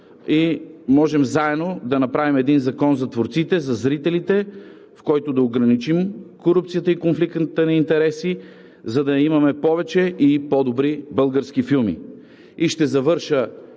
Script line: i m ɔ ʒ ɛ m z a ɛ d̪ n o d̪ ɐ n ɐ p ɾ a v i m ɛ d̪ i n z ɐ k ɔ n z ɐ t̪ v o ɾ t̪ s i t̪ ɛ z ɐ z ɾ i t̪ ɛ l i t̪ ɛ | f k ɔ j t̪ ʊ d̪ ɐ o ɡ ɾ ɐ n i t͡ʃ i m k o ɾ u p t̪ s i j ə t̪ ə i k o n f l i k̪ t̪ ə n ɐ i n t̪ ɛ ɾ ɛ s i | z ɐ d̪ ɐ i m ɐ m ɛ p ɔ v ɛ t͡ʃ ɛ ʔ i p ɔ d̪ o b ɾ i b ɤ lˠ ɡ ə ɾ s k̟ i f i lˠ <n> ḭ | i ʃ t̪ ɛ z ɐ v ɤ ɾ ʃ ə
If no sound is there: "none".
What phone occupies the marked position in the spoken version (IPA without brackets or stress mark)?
m